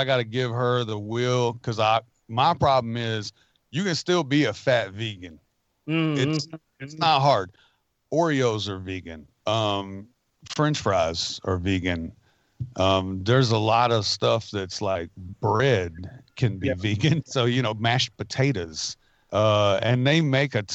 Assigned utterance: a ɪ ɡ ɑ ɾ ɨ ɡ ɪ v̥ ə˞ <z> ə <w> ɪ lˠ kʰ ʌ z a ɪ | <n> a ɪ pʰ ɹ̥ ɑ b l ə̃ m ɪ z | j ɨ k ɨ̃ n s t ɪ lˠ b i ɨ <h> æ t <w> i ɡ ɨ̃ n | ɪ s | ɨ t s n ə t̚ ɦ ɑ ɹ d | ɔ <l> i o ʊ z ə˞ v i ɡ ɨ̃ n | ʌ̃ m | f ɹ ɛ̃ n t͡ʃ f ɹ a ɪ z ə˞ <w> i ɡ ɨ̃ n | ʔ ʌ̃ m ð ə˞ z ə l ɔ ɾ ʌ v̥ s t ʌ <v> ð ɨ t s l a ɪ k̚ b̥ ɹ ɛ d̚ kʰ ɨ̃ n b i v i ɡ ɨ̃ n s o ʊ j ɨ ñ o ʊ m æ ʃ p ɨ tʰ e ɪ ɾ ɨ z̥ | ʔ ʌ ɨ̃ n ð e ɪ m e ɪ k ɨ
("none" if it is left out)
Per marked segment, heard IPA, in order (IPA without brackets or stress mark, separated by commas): ð, w, m, f, v, ɹ, v, f